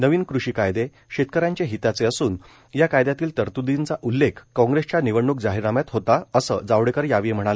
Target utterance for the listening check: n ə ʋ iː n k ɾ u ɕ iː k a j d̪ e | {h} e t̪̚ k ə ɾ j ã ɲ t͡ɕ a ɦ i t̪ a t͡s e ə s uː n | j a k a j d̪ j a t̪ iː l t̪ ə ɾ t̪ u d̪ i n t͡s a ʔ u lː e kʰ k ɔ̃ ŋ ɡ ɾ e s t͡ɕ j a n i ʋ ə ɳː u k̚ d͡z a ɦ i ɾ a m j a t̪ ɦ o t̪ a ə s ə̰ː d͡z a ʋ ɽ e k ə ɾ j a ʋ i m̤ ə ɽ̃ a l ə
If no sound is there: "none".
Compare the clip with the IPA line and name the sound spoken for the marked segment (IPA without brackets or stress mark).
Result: ɕ